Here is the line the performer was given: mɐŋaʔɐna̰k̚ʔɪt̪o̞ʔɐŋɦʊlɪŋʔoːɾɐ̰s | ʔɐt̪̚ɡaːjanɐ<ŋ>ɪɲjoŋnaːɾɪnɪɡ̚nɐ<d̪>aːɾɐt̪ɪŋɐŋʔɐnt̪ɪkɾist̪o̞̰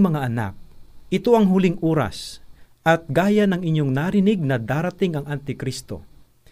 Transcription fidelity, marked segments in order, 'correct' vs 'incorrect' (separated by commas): correct, correct